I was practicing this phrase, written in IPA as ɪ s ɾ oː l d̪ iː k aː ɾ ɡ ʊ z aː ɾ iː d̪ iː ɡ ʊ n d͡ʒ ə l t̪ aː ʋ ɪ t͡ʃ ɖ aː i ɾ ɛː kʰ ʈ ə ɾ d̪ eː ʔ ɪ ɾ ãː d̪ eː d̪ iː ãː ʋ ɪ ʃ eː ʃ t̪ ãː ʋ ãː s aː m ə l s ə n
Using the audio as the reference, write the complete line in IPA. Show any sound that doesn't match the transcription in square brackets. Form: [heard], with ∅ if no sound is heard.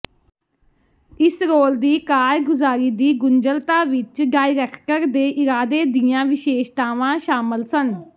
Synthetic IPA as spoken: ɪ s ɾ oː l d̪ iː k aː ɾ ɡ ʊ z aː ɾ iː d̪ iː ɡ ʊ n d͡ʒ ə l t̪ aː ʋ ɪ t͡ʃ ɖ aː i ɾ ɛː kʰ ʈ ə ɾ d̪ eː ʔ ɪ ɾ [aː] d̪ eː d̪ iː ãː ʋ ɪ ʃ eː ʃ t̪ [aː] ʋ ãː [ʃ] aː m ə l s ə n